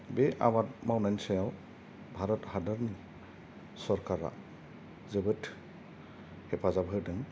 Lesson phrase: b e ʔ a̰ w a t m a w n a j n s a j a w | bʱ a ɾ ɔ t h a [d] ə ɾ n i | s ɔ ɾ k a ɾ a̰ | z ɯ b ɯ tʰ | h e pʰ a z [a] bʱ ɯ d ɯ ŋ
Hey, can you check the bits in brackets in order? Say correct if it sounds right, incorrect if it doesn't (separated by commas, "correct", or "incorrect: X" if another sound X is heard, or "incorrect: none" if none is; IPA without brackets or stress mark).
correct, correct